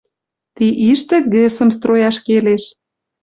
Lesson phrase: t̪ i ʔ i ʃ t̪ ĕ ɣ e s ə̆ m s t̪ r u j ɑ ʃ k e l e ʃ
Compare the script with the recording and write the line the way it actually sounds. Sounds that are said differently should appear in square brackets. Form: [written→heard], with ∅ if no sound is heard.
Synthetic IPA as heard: t̪ i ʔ i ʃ t̪ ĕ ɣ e s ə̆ m s t̪ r [u→o] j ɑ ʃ k e l e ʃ